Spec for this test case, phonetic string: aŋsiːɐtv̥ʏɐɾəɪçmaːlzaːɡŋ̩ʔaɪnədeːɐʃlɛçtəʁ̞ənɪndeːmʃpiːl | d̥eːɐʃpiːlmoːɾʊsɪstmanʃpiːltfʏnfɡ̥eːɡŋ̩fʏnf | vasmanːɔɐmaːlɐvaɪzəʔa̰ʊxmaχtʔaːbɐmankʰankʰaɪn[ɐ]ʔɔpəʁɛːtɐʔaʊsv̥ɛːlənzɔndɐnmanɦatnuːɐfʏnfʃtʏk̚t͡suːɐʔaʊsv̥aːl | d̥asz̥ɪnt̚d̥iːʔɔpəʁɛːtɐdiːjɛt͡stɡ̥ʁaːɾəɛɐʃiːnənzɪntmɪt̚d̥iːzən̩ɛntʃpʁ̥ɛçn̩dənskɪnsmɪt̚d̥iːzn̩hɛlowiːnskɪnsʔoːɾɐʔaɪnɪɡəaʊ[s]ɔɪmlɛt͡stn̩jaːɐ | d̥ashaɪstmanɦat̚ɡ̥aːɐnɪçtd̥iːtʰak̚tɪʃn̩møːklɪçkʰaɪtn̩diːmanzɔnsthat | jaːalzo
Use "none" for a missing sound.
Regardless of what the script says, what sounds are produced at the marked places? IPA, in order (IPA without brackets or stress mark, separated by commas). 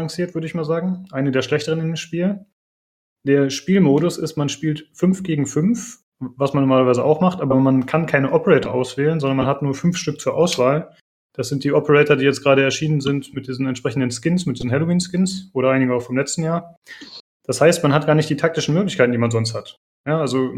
ə, f